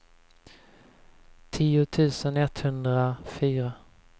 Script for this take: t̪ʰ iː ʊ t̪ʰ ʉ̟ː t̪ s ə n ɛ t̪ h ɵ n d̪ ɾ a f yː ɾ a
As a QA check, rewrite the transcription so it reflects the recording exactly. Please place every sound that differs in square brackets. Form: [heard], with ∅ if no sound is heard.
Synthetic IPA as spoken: t̪ʰ iː ʊ t̪ʰ ʉ̟ː [∅] s ə n ɛ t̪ h ɵ n d̪ ɾ a f yː ɾ a

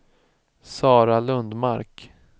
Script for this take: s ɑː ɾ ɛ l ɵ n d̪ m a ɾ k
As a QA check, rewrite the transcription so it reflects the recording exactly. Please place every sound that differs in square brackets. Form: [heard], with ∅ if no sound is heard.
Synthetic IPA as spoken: s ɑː ɾ [a] l ɵ n d̪ m a ɾ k

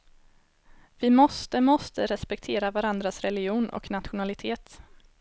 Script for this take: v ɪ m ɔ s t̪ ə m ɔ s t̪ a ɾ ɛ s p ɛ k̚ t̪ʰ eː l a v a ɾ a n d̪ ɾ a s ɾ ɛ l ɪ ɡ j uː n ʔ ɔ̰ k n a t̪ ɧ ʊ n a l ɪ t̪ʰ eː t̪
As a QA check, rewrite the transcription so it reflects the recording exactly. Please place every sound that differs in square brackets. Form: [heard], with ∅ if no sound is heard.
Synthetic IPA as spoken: v ɪ m ɔ s t̪ ə m ɔ s t̪ [ə] ɾ ɛ s p ɛ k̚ t̪ʰ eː [ɾ] a v a ɾ a n d̪ ɾ a s ɾ ɛ l ɪ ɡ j uː n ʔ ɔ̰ k n a t̪ ɧ ʊ n a l ɪ t̪ʰ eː t̪

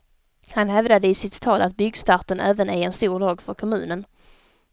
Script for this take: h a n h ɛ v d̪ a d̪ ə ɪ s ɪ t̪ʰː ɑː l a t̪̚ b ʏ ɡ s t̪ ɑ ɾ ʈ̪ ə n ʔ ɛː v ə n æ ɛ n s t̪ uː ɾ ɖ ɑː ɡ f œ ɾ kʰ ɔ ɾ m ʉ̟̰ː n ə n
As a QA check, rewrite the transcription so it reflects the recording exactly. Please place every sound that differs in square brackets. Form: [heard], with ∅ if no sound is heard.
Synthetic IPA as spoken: h a n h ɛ v d̪ a d̪ ə ɪ s ɪ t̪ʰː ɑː l a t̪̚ b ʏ ɡ s t̪ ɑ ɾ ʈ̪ ə n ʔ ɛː v ə n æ ɛ n s t̪ uː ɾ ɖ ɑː ɡ f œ ɾ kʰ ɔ [∅] m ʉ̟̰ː n ə n

